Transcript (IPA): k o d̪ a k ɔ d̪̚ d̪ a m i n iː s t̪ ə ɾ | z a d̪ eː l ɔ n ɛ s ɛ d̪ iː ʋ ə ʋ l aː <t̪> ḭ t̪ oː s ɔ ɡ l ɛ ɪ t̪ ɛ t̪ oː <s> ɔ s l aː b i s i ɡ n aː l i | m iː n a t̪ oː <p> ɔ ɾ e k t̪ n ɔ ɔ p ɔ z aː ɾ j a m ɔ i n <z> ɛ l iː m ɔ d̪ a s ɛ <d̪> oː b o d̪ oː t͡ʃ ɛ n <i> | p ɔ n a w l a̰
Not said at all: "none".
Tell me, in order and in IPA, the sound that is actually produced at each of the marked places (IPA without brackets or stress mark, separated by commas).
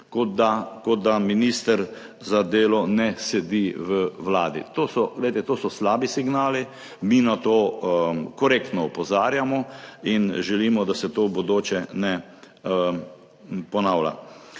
d̪, s, k, ʒ, t̪, ɛ